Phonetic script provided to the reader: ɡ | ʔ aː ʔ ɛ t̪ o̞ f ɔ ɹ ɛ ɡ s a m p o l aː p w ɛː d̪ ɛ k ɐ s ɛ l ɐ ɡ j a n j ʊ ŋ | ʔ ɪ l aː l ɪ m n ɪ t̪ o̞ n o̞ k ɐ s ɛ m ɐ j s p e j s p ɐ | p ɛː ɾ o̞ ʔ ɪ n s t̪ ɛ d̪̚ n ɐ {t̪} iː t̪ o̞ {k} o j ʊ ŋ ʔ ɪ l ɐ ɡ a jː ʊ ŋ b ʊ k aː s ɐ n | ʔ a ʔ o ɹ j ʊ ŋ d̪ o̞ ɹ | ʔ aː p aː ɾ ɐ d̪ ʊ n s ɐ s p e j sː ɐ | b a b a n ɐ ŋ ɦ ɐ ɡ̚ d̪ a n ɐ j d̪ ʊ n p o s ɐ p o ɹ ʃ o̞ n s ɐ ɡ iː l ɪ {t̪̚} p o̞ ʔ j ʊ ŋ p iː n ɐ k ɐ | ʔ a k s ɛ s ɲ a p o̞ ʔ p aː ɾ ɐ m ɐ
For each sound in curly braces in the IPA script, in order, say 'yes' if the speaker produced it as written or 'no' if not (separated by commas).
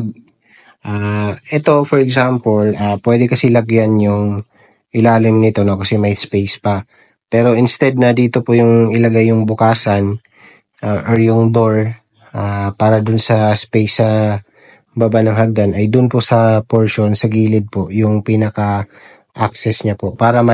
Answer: no, no, no